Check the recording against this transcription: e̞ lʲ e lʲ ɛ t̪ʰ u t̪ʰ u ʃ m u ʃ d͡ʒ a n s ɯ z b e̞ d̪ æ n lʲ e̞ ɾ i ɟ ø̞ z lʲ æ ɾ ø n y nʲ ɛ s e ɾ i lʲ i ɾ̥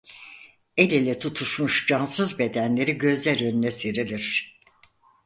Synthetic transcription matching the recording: e̞ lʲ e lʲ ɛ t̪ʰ u t̪ʰ u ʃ m u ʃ d͡ʒ a n s ɯ z b e̞ d̪ æ n lʲ e̞ ɾ i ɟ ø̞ z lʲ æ ɾ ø n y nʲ ɛ s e ɾ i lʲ i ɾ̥

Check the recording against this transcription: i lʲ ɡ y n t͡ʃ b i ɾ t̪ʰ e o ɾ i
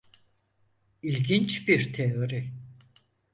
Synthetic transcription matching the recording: i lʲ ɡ i n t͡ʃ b i ɾ t̪ʰ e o ɾ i

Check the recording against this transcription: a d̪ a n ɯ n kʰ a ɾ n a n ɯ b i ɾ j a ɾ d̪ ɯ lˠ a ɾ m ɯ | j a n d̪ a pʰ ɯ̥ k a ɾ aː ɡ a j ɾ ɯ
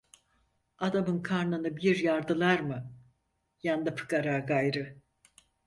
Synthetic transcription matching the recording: a d̪ a m ɯ n kʰ a ɾ n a n ɯ b i ɾ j a ɾ d̪ ɯ lˠ a ɾ m ɯ | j a n d̪ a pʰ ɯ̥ k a ɾ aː ɡ a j ɾ ɯ

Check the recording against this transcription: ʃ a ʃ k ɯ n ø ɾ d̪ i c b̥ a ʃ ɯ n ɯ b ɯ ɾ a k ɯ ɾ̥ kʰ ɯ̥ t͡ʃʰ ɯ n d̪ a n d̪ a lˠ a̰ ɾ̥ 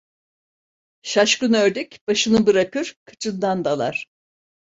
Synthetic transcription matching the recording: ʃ a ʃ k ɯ n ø ɾ d̪ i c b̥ a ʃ ɯ n ɯ b ɯ ɾ a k ɯ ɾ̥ kʰ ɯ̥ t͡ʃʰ ɯ n d̪ a n d̪ a lˠ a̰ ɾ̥

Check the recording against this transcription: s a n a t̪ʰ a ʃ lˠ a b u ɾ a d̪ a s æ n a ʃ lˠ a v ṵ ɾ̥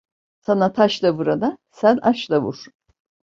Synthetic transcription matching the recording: s a n a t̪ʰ a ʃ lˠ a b u ɾ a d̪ a s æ n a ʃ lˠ a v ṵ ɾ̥

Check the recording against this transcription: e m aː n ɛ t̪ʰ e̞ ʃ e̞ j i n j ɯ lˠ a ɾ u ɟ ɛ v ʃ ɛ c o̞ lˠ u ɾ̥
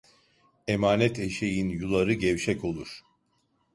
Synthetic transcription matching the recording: e m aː n ɛ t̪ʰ e̞ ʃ e̞ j i n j u lˠ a ɾ ɯ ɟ ɛ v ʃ ɛ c o̞ lˠ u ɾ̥

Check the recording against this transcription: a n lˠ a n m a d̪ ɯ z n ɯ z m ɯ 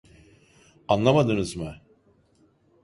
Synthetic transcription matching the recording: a n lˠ a m a d̪ ɯ n ɯ z m ɯ

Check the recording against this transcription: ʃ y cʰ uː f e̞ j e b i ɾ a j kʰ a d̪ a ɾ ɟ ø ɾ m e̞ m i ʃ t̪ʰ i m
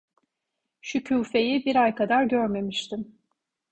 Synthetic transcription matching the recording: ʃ y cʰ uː f e̞ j i b i ɾ a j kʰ a d̪ a ɾ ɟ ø ɾ m e̞ m i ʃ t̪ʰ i m

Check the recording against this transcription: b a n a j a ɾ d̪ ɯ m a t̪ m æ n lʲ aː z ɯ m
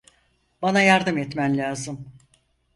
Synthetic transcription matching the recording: b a n a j a ɾ d̪ ɯ m ɛ t̪ m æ n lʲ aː z ɯ m

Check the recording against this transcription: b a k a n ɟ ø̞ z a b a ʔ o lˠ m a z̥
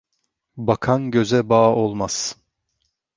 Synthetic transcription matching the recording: b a kʰ a n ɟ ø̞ z ɛ b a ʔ o lˠ m a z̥

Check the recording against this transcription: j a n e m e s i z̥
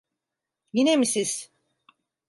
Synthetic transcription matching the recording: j i n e m i s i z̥

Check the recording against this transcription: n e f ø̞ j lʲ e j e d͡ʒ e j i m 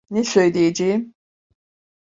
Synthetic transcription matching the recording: n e s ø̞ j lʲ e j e d͡ʒ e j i m

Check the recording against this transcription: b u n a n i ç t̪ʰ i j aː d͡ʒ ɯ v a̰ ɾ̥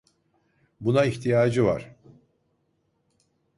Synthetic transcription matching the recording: b u n a i ç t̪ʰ i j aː d͡ʒ ɯ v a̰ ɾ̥

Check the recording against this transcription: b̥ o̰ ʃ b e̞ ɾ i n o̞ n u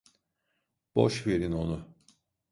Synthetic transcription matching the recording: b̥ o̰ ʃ v e̞ ɾ i n o̞ n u

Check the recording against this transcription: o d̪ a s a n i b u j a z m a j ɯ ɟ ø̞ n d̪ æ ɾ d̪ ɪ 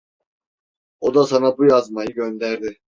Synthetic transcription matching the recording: o d̪ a s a n a b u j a z m a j ɯ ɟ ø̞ n d̪ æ ɾ d̪ ɪ

